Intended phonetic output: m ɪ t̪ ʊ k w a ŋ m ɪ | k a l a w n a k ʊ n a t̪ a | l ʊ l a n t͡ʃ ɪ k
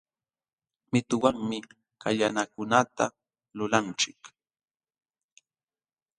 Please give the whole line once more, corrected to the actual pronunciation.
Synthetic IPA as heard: m ɪ t̪ ʊ w a ŋ m ɪ | k a ʎ a n a k ʊ n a t̪ a | l ʊ l a n t͡ʃ ɪ k